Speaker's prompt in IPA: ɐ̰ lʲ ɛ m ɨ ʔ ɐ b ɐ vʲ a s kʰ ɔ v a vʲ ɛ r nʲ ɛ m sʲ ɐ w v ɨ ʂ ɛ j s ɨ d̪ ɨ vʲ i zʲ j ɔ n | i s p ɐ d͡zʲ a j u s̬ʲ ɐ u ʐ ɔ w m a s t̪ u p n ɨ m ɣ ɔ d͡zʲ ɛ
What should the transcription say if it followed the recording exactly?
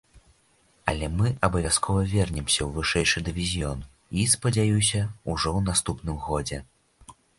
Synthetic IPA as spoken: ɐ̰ lʲ ɛ m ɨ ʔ ɐ b ɐ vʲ a s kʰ ɔ v ɐ vʲ ɛ r nʲ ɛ m sʲ ɐ w v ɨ ʂ ɛ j ʂ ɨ d̪ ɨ vʲ i zʲ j ɔ n | i s p ɐ d͡zʲ a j u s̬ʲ ɐ u ʐ ɔ w n a s t̪ u p n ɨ m ɣ ɔ d͡zʲ ɛ